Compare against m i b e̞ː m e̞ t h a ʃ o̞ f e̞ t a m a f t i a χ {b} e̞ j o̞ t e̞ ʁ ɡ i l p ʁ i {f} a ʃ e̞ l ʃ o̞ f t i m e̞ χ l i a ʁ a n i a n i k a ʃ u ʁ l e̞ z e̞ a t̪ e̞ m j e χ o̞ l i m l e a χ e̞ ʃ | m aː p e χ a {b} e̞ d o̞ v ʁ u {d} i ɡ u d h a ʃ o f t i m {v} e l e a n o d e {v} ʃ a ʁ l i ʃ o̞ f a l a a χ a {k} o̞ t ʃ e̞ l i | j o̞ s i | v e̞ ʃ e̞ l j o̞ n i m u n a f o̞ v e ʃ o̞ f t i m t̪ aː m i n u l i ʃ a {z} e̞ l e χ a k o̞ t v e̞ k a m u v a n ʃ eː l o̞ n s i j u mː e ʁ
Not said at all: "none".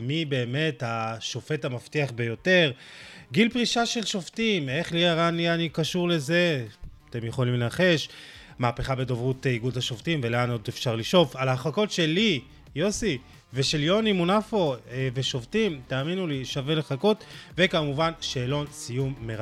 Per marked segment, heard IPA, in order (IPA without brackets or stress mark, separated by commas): b, ʃ, b, t, v, f, k, v